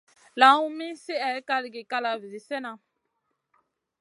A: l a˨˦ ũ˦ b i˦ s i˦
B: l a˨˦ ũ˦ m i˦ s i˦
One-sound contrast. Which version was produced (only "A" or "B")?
B